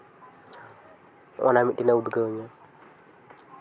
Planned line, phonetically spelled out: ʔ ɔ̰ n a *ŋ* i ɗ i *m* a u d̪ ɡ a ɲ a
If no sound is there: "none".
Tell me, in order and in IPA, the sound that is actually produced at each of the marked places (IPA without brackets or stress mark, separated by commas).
m, n